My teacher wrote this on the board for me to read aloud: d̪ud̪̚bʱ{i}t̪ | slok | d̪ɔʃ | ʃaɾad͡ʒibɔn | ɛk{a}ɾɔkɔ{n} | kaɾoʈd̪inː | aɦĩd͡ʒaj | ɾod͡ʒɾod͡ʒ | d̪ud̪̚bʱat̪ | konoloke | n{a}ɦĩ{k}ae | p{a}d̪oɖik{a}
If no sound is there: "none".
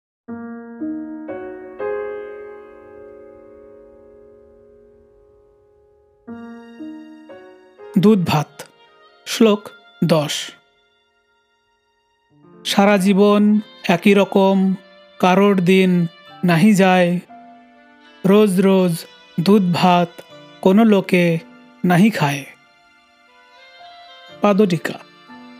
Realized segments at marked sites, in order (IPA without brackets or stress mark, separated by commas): a, i, m, a, kʰ, a, a